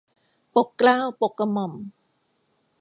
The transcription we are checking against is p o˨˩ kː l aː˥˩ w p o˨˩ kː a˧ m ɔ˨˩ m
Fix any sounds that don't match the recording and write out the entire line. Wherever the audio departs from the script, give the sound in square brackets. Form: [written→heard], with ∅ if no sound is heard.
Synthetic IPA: p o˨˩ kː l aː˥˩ w p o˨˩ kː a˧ m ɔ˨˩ m